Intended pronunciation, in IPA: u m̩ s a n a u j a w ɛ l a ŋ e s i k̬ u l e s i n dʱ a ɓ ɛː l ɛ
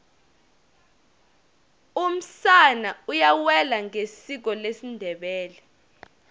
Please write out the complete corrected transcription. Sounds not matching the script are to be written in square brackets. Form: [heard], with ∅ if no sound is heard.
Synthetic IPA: u m̩ s a n a u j a w ɛ l a ŋ e s i k̬ [ɔ] l e s i n dʱ [ɛ] ɓ ɛː l ɛ